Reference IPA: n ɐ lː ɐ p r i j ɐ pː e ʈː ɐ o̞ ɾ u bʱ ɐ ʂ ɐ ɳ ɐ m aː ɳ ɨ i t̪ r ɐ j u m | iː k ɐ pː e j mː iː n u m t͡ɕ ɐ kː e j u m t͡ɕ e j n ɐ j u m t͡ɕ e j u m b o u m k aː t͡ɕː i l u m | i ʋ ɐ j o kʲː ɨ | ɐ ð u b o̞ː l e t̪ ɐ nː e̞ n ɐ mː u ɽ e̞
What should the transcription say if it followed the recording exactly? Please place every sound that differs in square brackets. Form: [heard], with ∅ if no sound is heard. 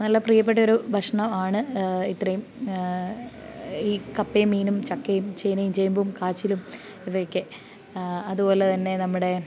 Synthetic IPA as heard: n ɐ lː ɐ p r i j ɐ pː e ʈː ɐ o̞ ɾ u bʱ ɐ ʂ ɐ ɳ ɐ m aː ɳ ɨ i t̪ r ɐ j u m | iː k ɐ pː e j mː iː n u m t͡ɕ ɐ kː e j u m t͡ɕ e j n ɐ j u m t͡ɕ e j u m b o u m k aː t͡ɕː i l u m | i ʋ ɐ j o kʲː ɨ | ɐ ð u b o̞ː l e t̪ ɐ nː e̞ n ɐ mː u ɽ e̞